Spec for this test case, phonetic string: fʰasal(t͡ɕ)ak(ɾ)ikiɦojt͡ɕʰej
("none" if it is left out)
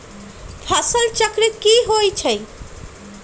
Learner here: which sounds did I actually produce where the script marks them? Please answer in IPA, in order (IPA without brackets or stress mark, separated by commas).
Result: t͡ɕ, ɾ